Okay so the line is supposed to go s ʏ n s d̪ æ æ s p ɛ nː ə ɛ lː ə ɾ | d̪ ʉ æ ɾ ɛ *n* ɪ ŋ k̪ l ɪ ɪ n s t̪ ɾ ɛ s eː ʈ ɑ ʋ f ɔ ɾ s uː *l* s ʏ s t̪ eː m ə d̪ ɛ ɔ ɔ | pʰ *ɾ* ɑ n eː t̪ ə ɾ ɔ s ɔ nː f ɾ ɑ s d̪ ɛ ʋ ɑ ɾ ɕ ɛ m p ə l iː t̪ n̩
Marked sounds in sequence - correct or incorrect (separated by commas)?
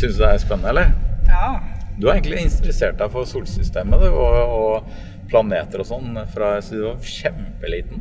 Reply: incorrect, correct, incorrect